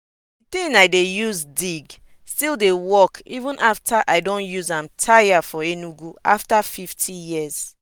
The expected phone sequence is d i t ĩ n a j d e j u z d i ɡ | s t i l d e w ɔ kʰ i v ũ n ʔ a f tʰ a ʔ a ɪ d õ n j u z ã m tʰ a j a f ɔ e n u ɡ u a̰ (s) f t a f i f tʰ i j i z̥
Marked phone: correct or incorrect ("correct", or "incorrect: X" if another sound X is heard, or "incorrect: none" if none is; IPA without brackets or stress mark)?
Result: incorrect: none